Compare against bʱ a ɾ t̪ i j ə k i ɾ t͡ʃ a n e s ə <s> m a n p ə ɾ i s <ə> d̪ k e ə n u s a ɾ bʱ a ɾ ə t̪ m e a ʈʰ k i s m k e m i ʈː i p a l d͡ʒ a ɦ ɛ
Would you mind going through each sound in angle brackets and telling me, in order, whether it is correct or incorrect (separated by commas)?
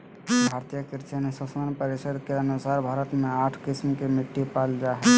correct, correct